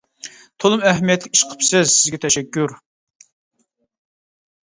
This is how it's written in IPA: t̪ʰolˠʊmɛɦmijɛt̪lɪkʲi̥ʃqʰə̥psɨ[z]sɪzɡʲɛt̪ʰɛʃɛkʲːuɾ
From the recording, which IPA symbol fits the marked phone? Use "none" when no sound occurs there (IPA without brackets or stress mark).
z